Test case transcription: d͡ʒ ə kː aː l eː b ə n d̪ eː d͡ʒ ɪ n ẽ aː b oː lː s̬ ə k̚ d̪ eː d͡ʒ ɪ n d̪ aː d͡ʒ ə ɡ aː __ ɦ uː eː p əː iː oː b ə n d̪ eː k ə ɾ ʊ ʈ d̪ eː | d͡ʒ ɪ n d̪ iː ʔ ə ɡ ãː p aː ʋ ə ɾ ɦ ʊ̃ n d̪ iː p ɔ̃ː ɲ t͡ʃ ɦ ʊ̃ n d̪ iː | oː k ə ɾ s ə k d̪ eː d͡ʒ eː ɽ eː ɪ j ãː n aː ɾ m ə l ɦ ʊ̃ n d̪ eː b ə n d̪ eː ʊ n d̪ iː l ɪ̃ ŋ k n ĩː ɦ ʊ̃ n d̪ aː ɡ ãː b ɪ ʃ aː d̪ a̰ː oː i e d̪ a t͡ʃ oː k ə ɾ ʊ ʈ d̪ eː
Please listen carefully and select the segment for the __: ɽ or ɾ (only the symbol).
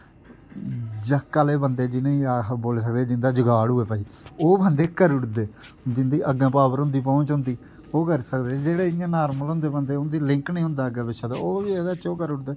ɽ